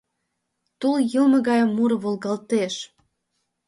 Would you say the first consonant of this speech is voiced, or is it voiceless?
voiceless